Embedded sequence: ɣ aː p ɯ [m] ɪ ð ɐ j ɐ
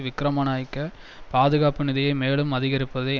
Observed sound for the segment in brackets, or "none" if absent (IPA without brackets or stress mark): n